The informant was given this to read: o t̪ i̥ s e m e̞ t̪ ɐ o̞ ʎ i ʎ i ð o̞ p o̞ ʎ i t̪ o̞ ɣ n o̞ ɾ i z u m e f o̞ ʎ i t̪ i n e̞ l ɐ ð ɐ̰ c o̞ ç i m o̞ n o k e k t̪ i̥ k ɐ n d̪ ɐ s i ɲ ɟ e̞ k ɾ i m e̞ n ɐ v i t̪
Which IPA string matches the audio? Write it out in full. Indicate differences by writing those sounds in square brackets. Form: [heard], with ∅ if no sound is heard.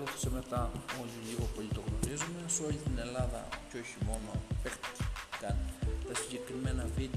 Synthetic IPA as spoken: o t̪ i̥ s e m e̞ t̪ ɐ o̞ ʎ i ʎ i [ɣ] o̞ p o̞ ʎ i t̪ o̞ ɣ n o̞ ɾ i z u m e [s] o̞ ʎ i t̪ i n e̞ l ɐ ð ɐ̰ c o̞ ç i m o̞ n o [p] e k t̪ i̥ k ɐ n [t̪] ɐ s i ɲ ɟ e̞ k ɾ i m e̞ n ɐ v i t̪